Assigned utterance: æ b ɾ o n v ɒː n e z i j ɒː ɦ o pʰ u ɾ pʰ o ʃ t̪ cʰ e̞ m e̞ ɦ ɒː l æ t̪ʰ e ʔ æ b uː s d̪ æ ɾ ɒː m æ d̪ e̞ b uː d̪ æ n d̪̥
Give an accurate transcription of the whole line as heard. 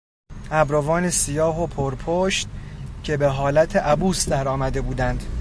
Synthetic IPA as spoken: æ b ɾ o v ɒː n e s i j ɒː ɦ o pʰ o ɾ pʰ o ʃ t̪ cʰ e̞ b e̞ ɦ ɒː l æ t̪ʰ e ʔ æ b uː s d̪ æ ɾ ɒː m æ d̪ e̞ b uː d̪ æ n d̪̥